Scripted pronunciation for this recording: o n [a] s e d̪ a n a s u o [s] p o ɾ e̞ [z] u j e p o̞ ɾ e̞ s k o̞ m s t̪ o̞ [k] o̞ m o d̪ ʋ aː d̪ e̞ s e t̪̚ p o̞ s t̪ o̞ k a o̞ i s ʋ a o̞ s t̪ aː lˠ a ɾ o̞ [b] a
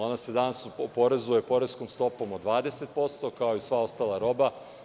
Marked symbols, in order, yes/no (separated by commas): yes, no, yes, no, yes